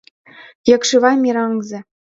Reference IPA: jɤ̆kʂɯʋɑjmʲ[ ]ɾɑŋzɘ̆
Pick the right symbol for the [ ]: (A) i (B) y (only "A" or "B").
A